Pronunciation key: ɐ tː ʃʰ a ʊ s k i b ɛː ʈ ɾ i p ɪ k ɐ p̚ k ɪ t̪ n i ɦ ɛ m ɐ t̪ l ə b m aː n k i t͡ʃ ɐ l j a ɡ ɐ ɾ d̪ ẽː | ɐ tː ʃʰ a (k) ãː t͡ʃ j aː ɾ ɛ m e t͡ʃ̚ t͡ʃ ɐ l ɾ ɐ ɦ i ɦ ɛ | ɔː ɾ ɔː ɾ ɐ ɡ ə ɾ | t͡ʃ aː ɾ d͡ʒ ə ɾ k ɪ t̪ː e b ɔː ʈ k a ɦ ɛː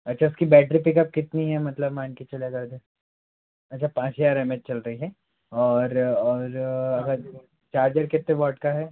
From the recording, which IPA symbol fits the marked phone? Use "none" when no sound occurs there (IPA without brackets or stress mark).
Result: p